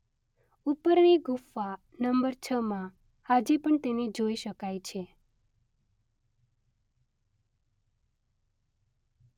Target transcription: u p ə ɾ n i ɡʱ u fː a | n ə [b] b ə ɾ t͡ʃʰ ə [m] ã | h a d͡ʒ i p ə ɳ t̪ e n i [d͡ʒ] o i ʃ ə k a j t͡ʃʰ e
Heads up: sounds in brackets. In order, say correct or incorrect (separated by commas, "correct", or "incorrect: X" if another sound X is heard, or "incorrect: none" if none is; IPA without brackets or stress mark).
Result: incorrect: m, correct, correct